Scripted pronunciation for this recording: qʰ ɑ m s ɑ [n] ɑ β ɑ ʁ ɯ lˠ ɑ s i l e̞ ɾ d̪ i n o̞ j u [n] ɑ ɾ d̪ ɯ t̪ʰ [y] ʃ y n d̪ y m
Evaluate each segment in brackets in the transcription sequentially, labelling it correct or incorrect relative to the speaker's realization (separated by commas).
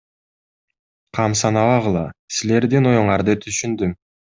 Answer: correct, incorrect, correct